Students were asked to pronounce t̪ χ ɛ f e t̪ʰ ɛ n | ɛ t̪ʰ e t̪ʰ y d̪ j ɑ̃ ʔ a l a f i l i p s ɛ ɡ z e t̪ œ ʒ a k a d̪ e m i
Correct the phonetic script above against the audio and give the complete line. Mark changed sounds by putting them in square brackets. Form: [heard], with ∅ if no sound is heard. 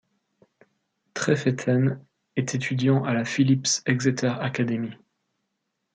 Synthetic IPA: t̪ χ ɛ f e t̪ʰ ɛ n | ɛ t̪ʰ e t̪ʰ y d̪ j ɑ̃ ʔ a l a f i l i p s ɛ ɡ z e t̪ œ [ʁ] a k a d̪ e m i